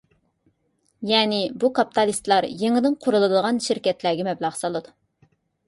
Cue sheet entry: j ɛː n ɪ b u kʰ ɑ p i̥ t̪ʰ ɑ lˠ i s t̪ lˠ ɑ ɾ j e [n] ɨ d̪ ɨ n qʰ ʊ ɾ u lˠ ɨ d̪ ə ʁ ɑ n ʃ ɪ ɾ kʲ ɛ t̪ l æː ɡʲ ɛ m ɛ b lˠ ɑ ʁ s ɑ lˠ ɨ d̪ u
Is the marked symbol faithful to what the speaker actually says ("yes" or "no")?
no